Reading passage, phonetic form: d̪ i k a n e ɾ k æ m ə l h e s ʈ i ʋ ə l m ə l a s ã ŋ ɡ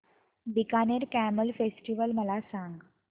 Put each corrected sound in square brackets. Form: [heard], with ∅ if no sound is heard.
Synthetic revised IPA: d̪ i k a n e ɾ k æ m ə l [f] e s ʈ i ʋ ə l m ə l a s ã ŋ ɡ